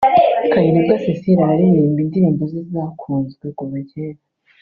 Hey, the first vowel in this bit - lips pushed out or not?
no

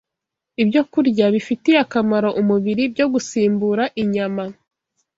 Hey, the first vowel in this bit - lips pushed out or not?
no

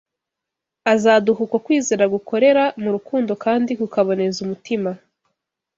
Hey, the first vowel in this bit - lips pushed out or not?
no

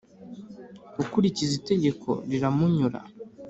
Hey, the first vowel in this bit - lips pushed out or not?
yes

